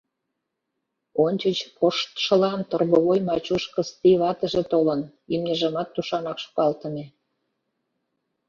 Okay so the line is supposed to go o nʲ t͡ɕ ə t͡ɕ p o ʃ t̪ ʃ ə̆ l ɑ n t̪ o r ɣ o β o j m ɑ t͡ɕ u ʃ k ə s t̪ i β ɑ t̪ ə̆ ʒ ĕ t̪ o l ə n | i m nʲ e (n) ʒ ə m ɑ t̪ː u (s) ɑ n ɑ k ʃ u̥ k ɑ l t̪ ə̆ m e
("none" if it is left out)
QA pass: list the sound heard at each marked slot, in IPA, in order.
none, ʃ

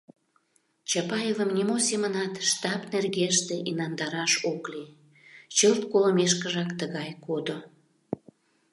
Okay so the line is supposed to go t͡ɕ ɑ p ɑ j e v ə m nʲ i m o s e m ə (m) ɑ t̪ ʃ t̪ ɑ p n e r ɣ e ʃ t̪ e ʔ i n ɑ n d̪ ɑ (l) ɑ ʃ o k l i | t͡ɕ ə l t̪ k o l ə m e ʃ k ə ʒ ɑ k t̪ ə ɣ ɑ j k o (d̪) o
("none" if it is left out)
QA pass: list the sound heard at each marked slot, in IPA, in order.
n, ɾ, d̪

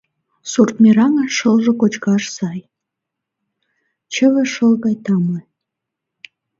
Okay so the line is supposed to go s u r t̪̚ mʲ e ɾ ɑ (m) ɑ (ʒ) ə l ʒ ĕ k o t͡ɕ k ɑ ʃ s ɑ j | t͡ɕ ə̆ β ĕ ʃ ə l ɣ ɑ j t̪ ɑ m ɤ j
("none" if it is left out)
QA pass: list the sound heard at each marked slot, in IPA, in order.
ŋ, ʃ

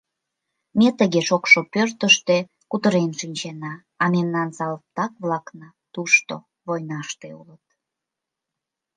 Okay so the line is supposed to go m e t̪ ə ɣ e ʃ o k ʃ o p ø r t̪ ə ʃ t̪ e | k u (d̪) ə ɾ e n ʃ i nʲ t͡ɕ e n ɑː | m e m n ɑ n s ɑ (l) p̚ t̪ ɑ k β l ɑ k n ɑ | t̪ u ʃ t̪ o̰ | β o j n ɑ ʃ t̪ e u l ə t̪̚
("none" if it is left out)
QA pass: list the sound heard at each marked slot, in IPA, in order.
t̪, l

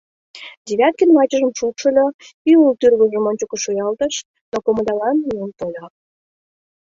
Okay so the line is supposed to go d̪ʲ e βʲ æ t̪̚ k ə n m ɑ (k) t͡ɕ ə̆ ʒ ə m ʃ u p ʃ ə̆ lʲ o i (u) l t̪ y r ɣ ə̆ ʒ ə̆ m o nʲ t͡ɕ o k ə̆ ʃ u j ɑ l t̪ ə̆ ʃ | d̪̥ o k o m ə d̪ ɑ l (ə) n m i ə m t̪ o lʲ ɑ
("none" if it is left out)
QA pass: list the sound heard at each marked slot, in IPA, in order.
none, u, ɑ

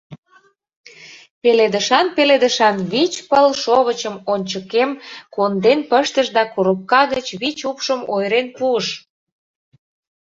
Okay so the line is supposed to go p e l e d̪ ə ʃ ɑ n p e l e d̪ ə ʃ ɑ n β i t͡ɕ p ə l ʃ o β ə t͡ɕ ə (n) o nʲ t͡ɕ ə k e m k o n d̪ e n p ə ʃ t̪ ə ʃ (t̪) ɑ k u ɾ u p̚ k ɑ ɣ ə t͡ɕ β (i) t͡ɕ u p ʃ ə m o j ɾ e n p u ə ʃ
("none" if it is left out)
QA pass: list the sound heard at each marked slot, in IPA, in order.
m, d̪, i

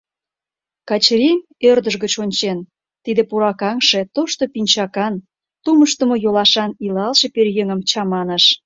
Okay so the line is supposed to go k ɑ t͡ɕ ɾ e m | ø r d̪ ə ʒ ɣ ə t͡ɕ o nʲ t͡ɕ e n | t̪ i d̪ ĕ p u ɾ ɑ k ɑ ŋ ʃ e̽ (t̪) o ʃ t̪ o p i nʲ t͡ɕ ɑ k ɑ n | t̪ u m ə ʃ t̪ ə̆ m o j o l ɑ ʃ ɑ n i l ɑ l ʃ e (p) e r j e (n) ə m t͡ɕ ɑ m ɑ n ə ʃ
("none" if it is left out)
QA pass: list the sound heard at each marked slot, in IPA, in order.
t̪, p, ŋ

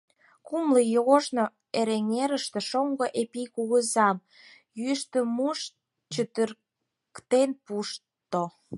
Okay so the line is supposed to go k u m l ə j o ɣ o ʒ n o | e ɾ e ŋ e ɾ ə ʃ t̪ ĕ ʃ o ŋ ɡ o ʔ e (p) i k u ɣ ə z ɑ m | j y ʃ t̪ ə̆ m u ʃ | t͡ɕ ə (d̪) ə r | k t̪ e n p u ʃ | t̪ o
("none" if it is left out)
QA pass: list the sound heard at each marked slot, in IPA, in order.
p, t̪

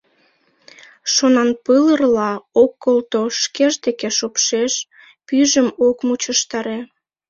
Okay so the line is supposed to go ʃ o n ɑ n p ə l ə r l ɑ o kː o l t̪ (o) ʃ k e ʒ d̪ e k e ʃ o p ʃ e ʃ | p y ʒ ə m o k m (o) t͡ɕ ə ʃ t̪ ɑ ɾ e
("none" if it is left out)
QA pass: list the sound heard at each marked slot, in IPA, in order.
o, u

